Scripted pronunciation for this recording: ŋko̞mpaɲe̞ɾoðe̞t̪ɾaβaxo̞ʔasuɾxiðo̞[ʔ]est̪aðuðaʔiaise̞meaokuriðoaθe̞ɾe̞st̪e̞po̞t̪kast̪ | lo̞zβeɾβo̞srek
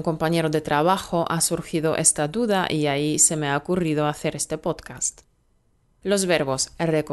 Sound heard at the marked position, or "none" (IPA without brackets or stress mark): ʔ